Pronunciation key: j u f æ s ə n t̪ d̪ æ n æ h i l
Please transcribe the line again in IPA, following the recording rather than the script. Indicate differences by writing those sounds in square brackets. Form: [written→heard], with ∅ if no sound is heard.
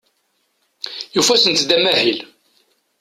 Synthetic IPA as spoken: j u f æ s ə n t̪ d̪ æ [n→m] æ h i l